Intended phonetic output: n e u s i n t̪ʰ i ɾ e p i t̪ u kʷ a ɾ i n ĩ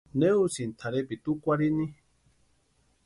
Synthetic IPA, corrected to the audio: n e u s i n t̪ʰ a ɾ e p i t̪ u kʷ a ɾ i n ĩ